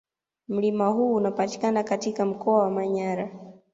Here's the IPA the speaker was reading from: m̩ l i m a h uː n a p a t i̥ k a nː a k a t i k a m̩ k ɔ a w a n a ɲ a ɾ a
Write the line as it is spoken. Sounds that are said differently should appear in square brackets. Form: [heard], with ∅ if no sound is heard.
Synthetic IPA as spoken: m̩ l i m a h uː n a p a t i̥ k a [n] a k a t i k a m̩ k ɔ a w a [m] a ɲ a ɾ a